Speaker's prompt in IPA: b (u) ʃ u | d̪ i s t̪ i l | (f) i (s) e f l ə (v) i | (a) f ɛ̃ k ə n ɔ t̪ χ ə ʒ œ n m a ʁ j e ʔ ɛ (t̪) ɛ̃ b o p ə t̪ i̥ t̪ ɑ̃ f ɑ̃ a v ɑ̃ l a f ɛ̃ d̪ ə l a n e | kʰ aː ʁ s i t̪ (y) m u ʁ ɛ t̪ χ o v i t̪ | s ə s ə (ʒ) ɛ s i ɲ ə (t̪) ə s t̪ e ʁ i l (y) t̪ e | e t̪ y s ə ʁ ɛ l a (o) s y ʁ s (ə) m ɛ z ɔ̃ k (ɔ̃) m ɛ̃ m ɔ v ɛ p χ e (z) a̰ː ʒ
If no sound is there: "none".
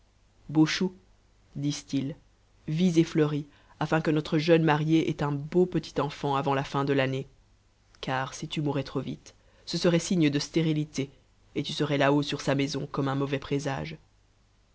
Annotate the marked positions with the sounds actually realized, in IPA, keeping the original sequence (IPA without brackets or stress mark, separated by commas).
o, v, z, ʁ, a, t̪, y, ʁ, d̪, i, o, a, ɔ, z